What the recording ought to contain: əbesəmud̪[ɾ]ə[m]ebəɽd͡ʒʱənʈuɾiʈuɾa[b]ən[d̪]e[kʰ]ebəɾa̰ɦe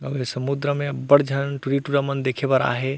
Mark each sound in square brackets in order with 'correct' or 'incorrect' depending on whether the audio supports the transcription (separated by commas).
correct, correct, incorrect, correct, correct